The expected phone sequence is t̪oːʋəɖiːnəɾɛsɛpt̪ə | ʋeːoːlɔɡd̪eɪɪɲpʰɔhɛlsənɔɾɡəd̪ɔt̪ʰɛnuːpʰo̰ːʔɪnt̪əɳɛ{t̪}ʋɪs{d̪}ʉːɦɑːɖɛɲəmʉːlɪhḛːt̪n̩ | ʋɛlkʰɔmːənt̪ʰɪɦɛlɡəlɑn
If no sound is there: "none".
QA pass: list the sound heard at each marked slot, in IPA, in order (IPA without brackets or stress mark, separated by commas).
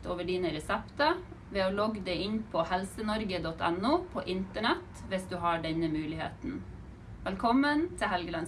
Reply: t̪, d̪